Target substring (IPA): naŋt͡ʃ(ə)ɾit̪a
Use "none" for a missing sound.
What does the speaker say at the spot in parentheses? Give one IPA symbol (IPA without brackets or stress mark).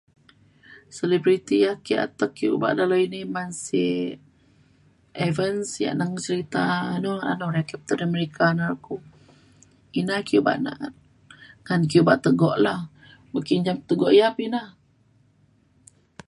ə